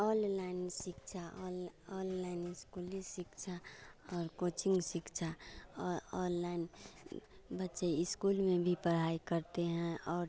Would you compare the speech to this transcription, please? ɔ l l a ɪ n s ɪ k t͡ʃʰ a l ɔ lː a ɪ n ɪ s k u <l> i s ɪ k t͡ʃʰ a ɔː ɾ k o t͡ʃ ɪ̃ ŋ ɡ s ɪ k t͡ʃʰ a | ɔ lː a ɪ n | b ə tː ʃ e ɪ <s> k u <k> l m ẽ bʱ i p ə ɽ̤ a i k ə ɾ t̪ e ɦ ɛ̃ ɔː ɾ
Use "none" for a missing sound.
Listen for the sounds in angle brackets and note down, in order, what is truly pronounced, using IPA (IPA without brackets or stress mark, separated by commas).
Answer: l, s, none